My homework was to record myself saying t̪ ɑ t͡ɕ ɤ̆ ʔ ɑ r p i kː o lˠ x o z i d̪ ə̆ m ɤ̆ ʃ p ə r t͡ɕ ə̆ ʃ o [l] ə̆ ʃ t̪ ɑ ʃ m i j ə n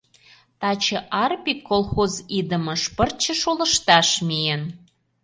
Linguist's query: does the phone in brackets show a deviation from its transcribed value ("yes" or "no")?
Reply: no